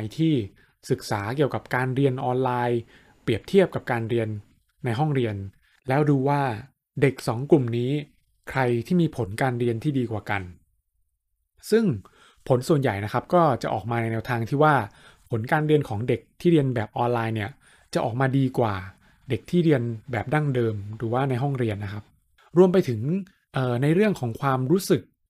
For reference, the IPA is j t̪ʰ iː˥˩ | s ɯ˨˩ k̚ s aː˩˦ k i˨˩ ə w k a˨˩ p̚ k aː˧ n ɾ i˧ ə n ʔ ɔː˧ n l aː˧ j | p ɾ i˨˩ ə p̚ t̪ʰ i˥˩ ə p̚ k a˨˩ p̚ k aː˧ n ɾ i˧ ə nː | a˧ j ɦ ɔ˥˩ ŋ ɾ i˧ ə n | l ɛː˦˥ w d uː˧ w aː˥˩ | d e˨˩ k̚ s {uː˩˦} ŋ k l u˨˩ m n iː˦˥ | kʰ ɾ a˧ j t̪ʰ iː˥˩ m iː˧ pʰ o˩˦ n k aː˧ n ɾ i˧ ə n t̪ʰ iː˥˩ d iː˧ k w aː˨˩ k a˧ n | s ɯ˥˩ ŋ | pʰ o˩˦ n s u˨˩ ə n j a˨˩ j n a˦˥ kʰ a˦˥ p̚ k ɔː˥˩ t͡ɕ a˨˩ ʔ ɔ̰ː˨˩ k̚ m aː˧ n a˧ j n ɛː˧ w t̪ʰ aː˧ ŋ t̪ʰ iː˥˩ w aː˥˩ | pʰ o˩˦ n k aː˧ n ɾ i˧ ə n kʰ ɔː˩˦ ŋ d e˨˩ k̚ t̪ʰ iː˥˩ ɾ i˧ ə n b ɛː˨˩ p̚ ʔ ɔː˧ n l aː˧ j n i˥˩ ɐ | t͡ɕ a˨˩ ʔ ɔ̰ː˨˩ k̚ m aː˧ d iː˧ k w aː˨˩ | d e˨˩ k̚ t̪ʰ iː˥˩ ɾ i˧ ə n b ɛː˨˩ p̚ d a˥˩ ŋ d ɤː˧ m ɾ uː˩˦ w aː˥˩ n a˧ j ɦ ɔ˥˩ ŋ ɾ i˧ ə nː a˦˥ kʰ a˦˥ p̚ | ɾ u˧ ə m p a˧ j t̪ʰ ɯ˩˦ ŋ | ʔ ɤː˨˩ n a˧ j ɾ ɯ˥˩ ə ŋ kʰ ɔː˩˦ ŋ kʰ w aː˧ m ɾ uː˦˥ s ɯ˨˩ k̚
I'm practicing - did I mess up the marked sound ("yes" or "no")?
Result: yes